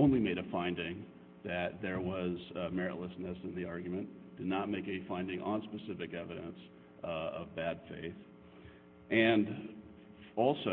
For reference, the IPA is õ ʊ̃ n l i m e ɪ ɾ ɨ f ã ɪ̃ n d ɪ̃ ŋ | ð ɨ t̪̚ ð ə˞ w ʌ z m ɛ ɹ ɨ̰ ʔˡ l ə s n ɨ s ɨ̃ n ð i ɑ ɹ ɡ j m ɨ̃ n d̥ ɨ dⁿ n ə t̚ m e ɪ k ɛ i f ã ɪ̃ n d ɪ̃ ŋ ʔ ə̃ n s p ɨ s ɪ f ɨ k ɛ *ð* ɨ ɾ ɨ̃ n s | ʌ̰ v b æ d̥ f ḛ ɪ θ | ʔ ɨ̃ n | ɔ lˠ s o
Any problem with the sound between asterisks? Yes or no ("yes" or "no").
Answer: yes